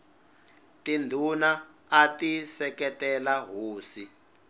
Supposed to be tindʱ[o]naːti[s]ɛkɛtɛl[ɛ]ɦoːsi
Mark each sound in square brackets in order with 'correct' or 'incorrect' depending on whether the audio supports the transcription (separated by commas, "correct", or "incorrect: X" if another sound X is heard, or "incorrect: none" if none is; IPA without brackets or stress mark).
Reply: incorrect: u, correct, incorrect: a